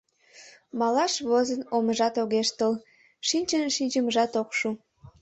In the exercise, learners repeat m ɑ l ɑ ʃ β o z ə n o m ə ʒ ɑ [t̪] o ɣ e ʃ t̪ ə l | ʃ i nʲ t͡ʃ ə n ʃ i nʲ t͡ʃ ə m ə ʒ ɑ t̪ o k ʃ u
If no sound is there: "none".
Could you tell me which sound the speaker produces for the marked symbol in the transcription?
t̪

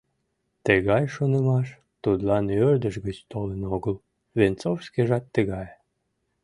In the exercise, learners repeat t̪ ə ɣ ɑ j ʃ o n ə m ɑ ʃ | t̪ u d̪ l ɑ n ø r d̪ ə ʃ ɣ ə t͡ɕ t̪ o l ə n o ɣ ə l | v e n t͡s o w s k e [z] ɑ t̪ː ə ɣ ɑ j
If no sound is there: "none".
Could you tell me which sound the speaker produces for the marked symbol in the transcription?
ʒ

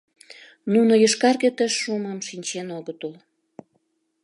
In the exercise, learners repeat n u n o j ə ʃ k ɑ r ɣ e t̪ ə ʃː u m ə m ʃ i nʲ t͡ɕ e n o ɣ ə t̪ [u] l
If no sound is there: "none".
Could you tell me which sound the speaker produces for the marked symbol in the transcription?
u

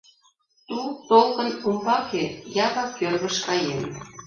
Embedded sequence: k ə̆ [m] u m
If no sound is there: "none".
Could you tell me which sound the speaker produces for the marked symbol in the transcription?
n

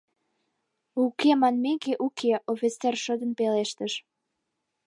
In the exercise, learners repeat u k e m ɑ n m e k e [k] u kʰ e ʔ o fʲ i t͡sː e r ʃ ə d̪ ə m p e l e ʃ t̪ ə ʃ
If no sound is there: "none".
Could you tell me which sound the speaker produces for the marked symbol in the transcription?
ʔ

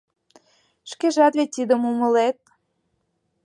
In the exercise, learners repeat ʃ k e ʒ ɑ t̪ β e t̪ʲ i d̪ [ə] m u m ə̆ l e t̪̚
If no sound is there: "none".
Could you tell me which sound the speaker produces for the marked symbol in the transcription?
ə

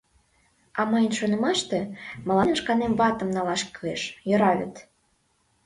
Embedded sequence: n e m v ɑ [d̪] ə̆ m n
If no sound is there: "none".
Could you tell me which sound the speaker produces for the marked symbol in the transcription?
t̪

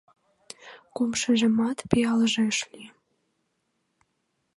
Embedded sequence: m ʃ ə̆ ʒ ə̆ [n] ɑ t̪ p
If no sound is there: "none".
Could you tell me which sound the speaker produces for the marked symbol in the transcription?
m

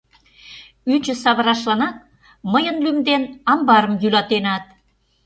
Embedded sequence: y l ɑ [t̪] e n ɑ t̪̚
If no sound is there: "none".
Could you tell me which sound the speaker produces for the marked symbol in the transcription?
t̪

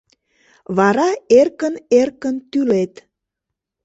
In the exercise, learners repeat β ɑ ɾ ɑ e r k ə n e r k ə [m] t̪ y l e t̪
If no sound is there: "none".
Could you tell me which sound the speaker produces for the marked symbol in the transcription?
n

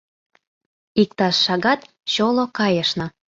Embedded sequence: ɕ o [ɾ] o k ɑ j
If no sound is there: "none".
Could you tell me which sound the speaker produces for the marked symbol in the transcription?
l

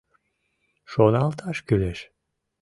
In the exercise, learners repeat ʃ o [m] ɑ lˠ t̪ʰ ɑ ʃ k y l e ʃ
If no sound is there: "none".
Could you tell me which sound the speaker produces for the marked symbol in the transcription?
n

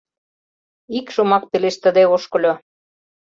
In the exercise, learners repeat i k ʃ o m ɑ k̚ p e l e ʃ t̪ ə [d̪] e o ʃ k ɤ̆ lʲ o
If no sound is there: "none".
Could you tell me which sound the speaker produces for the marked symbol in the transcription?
d̪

